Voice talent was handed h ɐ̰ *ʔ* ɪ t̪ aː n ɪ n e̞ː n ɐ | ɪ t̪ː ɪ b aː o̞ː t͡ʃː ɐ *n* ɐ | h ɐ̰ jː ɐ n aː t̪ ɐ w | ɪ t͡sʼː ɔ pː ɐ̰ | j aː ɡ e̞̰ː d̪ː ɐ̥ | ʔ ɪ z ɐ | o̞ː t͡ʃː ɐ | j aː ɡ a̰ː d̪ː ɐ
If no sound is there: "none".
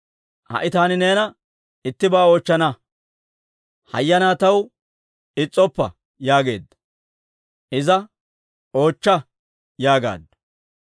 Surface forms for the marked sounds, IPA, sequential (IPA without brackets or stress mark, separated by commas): ʔ, n